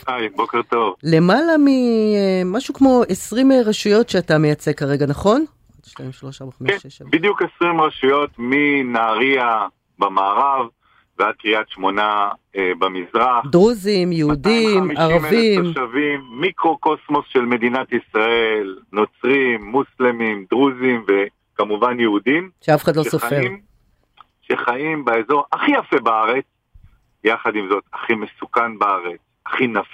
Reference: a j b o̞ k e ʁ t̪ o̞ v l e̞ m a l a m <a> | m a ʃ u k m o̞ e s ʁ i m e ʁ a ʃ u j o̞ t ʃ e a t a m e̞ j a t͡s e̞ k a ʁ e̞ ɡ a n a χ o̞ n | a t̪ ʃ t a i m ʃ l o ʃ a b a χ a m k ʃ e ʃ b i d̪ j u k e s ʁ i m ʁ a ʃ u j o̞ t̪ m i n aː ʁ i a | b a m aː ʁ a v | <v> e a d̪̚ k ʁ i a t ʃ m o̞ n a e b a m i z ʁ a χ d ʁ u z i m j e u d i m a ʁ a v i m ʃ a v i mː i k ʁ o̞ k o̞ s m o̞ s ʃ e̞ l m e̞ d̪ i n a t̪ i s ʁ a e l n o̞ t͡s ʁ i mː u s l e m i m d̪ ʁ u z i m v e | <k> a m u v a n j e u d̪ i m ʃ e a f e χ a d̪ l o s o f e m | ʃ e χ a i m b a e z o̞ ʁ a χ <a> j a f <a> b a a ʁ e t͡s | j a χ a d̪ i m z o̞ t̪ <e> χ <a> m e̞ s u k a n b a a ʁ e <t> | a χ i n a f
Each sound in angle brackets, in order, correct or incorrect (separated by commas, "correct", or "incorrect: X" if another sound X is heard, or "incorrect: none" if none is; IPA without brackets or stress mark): incorrect: i, correct, correct, incorrect: i, incorrect: e, incorrect: a, incorrect: i, incorrect: t͡s